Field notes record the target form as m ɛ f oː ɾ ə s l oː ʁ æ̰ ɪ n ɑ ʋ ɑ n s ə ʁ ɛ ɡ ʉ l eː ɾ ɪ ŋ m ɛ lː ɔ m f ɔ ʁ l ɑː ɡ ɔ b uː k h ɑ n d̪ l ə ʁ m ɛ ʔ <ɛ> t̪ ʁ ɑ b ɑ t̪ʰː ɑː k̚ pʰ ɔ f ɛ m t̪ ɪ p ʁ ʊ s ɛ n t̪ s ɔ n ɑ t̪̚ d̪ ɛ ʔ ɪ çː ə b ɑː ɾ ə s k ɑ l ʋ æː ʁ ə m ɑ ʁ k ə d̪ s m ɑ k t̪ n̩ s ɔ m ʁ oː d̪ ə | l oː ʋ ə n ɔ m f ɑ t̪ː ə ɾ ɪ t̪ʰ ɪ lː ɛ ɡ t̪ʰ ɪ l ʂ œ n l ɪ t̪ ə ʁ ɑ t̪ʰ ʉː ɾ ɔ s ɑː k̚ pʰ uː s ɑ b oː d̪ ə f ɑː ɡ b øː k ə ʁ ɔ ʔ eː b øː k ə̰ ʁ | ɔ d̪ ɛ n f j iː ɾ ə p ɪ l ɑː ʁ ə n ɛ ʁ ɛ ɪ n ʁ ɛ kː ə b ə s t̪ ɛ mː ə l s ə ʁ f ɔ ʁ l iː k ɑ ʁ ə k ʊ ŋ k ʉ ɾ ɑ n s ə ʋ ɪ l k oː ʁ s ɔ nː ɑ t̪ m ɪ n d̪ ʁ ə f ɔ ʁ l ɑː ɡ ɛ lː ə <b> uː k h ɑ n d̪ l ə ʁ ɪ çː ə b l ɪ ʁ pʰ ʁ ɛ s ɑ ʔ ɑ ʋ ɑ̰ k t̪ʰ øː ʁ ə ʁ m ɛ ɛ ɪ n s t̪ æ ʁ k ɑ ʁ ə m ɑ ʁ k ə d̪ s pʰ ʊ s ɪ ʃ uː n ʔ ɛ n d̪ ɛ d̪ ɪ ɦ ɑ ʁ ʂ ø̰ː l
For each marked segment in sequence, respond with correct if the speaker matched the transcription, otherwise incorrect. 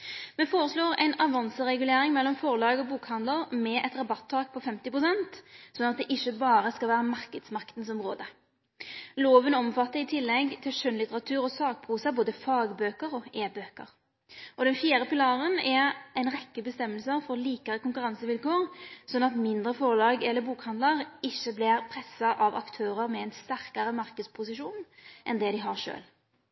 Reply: correct, correct

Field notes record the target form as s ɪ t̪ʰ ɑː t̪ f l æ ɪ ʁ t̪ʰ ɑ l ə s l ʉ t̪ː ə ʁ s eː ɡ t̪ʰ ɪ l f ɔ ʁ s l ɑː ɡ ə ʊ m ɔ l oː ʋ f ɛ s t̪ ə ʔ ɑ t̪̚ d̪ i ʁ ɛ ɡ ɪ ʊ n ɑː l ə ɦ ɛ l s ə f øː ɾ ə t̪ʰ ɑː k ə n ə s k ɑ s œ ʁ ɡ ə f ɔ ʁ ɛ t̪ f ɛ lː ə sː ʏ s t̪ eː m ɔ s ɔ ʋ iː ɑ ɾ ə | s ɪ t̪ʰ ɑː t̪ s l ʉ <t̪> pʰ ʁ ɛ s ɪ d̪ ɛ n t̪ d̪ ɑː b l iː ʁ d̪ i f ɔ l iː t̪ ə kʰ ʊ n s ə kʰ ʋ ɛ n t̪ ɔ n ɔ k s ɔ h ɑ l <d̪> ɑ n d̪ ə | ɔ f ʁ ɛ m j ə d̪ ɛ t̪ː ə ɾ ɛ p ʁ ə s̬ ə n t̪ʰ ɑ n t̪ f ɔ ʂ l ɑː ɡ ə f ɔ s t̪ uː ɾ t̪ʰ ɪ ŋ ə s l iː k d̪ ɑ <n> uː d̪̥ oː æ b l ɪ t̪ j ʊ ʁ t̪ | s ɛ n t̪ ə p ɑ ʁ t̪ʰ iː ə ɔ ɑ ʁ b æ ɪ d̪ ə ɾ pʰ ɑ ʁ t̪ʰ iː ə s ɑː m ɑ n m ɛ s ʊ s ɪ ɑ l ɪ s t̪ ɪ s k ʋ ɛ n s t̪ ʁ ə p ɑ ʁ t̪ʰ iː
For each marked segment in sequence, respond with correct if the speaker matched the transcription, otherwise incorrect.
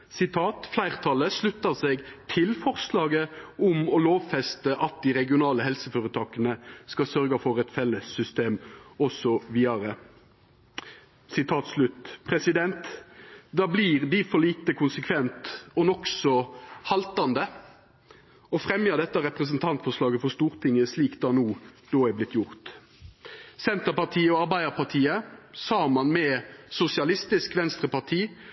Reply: correct, incorrect, correct

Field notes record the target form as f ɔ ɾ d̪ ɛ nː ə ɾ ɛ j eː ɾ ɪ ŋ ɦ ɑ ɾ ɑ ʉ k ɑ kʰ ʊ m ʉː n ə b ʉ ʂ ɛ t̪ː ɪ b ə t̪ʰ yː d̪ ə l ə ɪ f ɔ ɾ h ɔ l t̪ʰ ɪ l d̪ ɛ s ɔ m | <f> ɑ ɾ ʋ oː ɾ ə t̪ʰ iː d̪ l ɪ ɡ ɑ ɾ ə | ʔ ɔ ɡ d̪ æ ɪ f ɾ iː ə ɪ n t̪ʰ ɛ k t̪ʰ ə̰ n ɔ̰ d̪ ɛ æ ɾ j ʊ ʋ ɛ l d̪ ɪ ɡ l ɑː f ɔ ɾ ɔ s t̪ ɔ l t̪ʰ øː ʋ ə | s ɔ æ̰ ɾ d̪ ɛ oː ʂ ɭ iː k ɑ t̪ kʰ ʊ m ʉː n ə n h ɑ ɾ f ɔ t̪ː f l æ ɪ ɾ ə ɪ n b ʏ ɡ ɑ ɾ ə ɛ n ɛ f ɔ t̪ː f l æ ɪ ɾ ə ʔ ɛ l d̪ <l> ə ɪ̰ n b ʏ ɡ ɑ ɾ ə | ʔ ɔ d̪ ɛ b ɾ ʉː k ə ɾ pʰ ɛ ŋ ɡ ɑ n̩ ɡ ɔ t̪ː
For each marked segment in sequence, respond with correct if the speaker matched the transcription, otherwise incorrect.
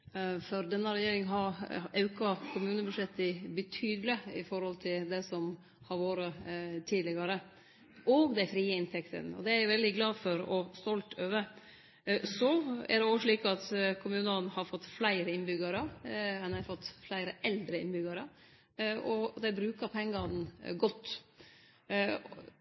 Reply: incorrect, incorrect

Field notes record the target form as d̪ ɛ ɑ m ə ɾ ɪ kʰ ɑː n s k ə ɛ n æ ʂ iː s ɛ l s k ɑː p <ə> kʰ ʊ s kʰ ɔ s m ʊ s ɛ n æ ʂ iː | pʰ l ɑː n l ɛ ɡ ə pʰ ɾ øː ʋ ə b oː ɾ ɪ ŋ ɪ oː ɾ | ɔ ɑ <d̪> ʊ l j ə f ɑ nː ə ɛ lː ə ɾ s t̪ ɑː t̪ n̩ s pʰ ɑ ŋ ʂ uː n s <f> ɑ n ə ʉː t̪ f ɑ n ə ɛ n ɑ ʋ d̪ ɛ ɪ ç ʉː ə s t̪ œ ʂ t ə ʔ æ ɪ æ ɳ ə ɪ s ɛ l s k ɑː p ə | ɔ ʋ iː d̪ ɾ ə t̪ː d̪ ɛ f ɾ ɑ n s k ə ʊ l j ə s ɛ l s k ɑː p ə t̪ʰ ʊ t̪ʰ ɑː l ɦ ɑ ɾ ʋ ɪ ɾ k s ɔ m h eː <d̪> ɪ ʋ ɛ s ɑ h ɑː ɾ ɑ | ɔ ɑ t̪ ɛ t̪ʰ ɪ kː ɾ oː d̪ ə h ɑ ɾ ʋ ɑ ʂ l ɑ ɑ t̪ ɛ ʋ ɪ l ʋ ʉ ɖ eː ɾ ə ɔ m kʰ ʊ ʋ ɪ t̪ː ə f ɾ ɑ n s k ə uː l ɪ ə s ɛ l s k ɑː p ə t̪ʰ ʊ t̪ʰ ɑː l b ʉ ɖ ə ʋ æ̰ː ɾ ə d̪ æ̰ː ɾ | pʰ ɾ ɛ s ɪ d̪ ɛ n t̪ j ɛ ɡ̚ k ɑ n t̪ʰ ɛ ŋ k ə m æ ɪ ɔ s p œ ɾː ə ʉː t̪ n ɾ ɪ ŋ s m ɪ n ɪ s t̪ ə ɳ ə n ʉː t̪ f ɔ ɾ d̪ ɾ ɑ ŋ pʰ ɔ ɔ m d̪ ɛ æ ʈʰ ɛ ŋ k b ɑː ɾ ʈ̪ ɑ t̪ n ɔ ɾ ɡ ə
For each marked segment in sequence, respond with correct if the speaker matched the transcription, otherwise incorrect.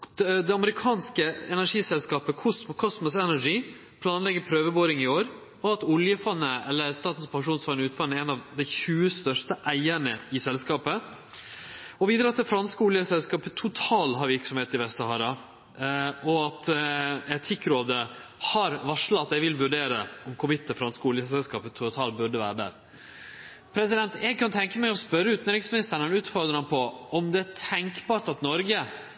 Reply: correct, incorrect, correct, incorrect

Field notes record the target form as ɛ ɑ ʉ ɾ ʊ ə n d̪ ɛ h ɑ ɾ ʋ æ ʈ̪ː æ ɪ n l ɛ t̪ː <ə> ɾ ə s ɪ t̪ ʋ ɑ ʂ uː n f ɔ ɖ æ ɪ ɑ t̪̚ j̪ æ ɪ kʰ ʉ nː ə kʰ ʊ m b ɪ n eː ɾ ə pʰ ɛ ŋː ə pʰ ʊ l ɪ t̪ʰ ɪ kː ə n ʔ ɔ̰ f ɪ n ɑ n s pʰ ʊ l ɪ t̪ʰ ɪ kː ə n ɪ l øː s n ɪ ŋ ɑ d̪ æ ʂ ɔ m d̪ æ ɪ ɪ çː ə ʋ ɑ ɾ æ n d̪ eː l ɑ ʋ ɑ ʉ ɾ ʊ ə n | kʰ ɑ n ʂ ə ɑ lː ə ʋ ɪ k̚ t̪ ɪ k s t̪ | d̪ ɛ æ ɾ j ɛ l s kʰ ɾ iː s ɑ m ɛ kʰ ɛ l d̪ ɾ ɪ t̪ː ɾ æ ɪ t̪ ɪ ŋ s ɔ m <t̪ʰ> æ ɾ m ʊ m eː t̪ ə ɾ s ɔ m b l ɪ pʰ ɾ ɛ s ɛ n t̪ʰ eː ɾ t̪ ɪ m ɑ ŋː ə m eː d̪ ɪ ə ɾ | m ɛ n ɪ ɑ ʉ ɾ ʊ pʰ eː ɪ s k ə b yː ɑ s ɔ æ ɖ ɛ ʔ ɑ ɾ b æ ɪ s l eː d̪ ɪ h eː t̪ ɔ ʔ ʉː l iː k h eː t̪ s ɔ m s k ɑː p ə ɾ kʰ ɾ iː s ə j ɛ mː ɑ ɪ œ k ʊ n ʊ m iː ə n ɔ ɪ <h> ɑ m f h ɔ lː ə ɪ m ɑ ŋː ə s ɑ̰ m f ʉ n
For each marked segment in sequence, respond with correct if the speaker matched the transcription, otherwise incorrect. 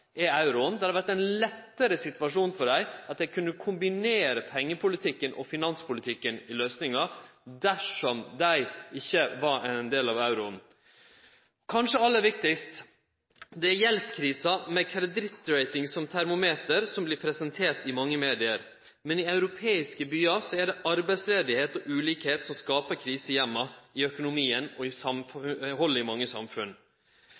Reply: correct, correct, incorrect

